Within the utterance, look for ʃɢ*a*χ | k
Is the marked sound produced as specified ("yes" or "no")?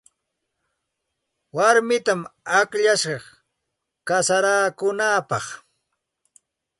no